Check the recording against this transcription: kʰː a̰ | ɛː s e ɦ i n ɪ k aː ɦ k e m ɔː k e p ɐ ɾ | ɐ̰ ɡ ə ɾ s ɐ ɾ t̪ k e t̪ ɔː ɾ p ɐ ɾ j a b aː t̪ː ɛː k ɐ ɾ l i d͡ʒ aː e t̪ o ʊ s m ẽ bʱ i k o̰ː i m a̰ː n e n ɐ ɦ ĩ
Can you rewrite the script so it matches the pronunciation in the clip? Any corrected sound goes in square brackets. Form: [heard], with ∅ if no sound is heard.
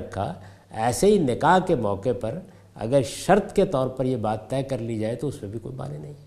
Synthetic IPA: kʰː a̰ | ɛː s e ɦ i n ɪ k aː ɦ k e m ɔː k e p ɐ ɾ | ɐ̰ ɡ ə ɾ [ʃ] ɐ ɾ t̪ k e t̪ ɔː ɾ p ɐ ɾ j [e] b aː t̪ː ɛː k ɐ ɾ l i d͡ʒ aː e t̪ o ʊ s m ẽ bʱ i k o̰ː i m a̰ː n e n ɐ ɦ ĩ